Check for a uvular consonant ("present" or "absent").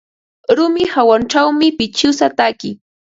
absent